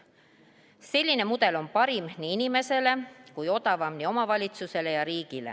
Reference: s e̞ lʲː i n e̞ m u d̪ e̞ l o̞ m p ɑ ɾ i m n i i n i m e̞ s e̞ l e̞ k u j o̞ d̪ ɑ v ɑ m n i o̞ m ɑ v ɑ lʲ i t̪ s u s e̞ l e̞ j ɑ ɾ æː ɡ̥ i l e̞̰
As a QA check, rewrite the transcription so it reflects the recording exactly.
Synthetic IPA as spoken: s e̞ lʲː i n e̞ m u d̪ e̞ l o̞ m p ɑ ɾ i m n i i n i m e̞ s e̞ l e̞ k u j o̞ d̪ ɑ v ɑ m n i o̞ m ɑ v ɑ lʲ i t̪ s u s e̞ l e̞ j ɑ ɾ iː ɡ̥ i l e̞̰